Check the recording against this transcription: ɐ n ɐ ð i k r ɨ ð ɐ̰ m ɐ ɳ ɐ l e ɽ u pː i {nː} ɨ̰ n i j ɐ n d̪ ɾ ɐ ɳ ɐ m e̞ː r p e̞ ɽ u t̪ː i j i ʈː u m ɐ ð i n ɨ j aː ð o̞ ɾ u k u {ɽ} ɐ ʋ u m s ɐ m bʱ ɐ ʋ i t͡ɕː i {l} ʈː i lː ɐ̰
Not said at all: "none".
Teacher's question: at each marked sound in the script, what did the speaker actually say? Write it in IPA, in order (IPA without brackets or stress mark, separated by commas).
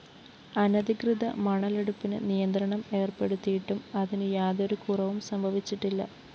n, r, none